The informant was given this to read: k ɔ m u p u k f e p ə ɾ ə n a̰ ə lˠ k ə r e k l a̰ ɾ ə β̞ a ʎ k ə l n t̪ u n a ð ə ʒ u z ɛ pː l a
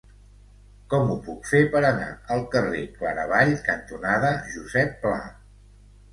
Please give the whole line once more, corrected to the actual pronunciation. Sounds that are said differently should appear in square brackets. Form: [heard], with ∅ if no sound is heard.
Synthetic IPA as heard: k ɔ m u p u k f e p ə ɾ ə n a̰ ə lˠ k ə r e k l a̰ ɾ ə β̞ a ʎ k ə [∅] n t̪ u n a ð ə ʒ u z ɛ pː l a

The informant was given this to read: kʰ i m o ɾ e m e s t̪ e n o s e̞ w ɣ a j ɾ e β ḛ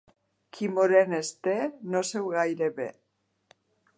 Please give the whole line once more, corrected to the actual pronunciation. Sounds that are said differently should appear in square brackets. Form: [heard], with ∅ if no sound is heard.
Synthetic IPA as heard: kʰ i m o ɾ e [n] e s t̪ e n o s e̞ w ɣ a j ɾ e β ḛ

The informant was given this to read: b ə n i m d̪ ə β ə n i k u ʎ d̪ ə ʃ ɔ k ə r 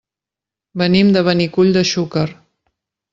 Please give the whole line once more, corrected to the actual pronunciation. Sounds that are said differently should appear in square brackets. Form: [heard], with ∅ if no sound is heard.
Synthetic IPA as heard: b ə n i m d̪ ə β ə n i k u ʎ d̪ ə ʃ [u] k ə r

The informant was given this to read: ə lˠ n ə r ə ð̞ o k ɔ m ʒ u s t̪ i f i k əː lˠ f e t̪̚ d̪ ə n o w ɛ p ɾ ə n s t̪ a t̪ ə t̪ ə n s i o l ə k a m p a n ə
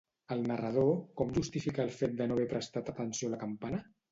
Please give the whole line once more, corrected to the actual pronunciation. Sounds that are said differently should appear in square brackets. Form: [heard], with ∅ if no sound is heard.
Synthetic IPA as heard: ə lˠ n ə r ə ð̞ o k ɔ m ʒ u s t̪ i f i k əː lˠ f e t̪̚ d̪ ə n o [β] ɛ p ɾ ə [∅] s t̪ a t̪ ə t̪ ə n s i o l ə k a m p a n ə

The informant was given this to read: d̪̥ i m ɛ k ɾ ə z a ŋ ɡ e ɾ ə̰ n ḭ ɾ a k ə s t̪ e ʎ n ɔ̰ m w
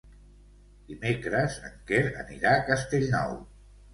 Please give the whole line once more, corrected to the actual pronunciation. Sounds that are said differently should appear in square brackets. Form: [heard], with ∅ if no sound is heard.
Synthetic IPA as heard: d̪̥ i m [e] k ɾ ə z [ə] ŋ [k] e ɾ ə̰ n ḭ ɾ a k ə s t̪ e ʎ n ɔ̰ [∅] w

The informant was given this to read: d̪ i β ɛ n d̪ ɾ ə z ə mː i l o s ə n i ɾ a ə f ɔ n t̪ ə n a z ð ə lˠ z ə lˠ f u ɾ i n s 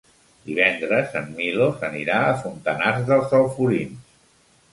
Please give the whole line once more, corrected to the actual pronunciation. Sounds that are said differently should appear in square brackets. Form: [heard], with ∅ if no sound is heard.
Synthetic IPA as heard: d̪ i β ɛ n d̪ ɾ ə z ə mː i l o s ə n i ɾ a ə f [u] n t̪ ə n a z ð ə lˠ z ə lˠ f u ɾ i n s

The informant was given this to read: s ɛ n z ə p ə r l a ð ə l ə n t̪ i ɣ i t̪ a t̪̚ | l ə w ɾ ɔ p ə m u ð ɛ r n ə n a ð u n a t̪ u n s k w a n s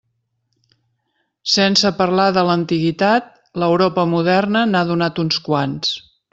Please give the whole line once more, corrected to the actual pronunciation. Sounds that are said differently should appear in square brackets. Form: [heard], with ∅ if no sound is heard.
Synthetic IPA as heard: s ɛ n [s] ə p ə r l a ð ə l ə n t̪ i ɣ i t̪ a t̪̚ | l ə w ɾ ɔ p ə m u ð ɛ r n ə n a ð u n a t̪ u n s k w a n s

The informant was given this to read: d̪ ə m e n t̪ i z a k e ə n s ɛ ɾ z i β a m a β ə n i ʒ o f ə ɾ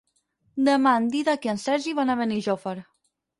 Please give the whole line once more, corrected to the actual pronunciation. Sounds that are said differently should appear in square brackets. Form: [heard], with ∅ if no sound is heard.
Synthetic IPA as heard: d̪ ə m [a] n [d̪] i [ð] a k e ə n s ɛ ɾ [ʒ] i β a [n] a β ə n i ʒ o f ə ɾ

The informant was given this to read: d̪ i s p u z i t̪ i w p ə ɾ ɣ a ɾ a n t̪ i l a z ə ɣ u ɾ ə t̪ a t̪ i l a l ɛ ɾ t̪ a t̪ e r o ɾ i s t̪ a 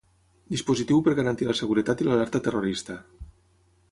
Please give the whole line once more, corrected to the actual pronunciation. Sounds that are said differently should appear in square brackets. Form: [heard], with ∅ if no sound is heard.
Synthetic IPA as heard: d̪ i s p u z i t̪ i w p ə ɾ ɣ a ɾ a n t̪ i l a [s] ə ɣ u ɾ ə t̪ a t̪ i l a l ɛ ɾ t̪ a t̪ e r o ɾ i s t̪ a

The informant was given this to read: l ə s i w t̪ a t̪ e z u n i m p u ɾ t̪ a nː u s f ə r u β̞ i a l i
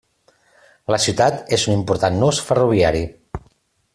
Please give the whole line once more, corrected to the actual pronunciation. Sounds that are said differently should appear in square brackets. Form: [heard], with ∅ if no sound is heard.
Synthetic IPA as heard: l ə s i w t̪ a t̪ e z u n i m p u ɾ t̪ a nː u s f ə r u β̞ i a [ɾ] i

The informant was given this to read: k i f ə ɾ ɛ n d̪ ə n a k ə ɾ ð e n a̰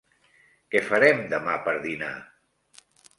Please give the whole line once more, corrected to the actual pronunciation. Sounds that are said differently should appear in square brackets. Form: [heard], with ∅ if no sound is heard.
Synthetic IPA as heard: k [ɛ] f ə ɾ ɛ [m] d̪ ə [m] a [p] ə ɾ ð [i] n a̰

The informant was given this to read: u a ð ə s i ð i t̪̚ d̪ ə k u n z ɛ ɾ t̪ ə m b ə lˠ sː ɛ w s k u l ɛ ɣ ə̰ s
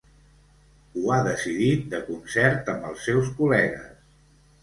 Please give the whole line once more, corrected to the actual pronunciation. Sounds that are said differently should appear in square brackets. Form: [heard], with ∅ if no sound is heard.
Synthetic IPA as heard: u a ð ə s i ð i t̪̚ d̪ ə k u n [s] ɛ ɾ t̪ ə m b ə lˠ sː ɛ w s k u l ɛ ɣ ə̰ s

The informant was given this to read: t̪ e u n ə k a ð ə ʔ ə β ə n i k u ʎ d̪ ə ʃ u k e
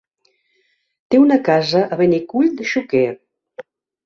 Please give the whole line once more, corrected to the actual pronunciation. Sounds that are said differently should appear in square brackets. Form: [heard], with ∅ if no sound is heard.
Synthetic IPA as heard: t̪ e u n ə k a [z] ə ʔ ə β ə n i k u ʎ d̪ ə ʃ u k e

